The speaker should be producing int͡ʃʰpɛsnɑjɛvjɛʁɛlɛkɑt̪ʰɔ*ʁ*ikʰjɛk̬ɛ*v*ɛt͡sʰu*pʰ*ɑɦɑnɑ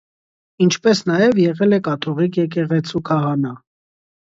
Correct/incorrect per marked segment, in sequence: correct, incorrect, incorrect

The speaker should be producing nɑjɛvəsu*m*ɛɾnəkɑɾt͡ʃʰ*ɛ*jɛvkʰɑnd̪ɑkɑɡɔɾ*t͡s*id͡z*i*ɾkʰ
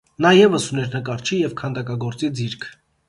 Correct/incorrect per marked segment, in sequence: incorrect, incorrect, correct, correct

